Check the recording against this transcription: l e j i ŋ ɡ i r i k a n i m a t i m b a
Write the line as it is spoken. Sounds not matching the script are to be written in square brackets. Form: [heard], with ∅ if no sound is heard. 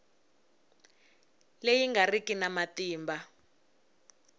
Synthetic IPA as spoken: l e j i ŋ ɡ [a] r i k [i] n [a] m a t [iː] m b a

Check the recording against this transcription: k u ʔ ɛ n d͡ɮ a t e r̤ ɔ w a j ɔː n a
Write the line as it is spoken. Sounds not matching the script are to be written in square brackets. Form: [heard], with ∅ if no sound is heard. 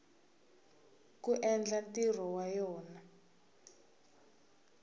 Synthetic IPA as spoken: k u ʔ ɛ n d͡ɮ a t [i] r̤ ɔ w a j ɔː n a

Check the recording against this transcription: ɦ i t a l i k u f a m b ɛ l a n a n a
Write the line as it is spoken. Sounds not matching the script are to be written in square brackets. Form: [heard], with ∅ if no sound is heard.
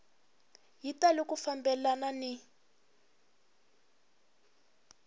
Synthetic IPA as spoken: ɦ i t a l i k u f a m b ɛ l a n a n [i]

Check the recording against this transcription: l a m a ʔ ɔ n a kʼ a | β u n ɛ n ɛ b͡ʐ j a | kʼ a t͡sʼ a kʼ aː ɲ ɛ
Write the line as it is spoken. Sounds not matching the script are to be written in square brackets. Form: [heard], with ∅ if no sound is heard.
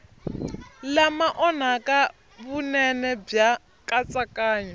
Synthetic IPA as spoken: l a m a ʔ ɔ n a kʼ a | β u n ɛ n ɛ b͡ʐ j a | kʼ a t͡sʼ a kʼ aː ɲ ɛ

